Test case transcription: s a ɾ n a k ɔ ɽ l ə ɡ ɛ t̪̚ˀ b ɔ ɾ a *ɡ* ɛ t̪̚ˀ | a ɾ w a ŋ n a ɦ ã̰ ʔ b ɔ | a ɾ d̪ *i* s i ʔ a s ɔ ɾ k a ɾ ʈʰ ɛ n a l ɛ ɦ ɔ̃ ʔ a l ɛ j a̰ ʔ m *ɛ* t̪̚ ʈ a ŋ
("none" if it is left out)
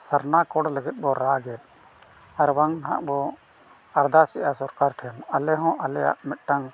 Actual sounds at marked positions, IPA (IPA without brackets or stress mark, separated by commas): ɡ, a, ɛ